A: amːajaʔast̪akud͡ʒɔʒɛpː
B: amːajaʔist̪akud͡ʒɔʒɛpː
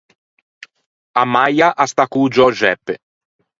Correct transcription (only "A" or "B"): A